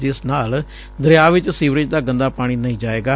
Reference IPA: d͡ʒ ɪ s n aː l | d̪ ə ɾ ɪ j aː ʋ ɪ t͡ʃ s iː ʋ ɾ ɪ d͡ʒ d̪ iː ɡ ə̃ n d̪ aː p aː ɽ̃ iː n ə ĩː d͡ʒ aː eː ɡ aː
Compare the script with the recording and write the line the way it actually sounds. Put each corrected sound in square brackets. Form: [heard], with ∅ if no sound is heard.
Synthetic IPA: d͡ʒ ɪ s n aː l | d̪ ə ɾ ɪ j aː ʋ ɪ t͡ʃ s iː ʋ ɾ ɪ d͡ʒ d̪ [aː] ɡ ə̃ n d̪ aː p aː ɽ̃ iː n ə ĩː d͡ʒ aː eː ɡ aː